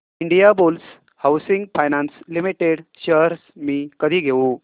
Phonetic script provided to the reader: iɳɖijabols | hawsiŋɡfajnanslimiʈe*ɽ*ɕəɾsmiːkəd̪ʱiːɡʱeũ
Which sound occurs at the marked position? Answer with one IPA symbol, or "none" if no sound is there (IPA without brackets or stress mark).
ɽ